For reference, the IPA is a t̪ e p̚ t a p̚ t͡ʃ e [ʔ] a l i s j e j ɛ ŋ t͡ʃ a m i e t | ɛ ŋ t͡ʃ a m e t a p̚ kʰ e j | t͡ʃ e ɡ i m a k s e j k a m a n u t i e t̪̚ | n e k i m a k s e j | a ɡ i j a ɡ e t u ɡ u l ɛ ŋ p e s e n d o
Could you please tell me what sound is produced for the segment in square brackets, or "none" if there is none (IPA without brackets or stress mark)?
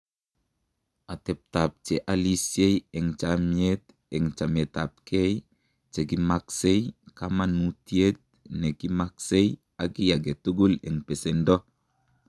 ʔ